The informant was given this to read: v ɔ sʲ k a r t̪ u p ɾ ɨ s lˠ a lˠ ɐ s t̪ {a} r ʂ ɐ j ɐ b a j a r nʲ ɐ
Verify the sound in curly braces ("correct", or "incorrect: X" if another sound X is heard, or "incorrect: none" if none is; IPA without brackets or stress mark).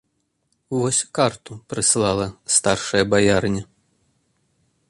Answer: correct